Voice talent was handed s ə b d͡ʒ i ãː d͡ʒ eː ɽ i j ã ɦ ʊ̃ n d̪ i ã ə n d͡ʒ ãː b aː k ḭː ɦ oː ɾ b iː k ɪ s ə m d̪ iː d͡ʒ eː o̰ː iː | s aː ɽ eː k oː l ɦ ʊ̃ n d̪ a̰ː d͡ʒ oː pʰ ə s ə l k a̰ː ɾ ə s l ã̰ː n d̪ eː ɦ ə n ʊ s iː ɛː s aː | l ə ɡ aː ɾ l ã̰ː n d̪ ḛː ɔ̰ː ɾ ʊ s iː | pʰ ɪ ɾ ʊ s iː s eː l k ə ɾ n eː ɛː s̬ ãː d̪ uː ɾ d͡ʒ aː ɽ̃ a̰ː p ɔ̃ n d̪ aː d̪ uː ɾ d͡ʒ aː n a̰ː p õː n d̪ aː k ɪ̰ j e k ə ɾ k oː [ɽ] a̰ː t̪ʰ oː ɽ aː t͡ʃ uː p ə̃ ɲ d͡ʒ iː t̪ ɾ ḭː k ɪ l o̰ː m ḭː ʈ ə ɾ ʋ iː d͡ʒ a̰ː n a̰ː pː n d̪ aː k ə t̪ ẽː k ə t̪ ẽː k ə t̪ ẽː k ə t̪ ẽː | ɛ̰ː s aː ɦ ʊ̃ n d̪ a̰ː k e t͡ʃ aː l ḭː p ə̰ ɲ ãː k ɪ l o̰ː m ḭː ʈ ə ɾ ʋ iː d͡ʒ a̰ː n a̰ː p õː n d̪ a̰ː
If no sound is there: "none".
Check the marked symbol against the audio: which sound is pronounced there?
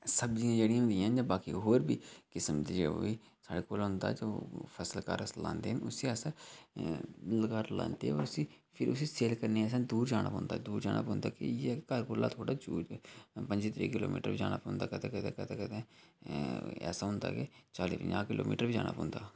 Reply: l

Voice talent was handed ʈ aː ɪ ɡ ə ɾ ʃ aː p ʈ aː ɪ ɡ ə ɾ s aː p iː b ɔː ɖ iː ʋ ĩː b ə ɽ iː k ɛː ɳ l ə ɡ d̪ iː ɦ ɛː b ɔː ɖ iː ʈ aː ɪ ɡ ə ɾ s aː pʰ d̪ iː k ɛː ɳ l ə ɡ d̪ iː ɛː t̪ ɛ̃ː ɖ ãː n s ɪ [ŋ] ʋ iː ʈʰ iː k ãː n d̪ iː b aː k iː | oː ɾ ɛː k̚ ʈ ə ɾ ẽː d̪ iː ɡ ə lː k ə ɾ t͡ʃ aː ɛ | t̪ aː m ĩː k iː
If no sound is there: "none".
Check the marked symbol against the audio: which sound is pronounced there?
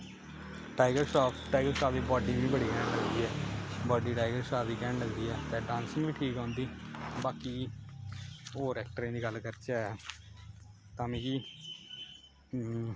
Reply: ŋ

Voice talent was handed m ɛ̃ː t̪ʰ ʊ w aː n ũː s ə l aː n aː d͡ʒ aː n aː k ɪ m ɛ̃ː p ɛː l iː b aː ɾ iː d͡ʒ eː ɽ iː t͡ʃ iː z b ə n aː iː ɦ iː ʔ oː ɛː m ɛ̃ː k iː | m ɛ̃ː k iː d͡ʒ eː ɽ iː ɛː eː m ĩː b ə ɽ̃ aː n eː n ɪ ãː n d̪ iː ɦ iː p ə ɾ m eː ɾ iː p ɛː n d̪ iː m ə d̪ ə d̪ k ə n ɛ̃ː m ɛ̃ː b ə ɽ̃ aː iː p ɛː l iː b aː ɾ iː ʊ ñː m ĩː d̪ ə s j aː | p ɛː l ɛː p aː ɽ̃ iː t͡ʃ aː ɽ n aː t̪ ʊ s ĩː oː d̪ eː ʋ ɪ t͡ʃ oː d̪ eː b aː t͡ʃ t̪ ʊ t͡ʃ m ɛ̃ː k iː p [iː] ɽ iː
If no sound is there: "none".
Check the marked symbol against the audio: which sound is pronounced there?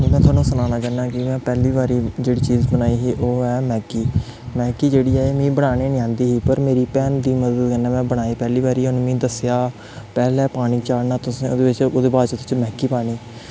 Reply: aː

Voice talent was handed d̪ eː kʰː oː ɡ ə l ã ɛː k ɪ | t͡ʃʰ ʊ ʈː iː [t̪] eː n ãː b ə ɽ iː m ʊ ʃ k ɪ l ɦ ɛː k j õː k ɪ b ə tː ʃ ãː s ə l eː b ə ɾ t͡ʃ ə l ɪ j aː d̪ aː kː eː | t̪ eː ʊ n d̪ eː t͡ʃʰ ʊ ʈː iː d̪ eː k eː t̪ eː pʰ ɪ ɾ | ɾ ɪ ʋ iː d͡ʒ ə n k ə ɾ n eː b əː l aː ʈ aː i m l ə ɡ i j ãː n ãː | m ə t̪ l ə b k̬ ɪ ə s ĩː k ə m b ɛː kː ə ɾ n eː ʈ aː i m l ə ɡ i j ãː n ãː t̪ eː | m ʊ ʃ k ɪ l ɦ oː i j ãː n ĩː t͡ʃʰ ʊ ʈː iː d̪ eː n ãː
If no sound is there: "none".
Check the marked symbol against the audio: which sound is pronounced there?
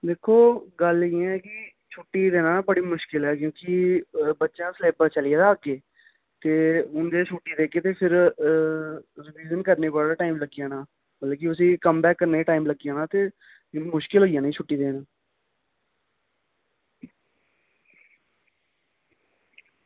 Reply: d̪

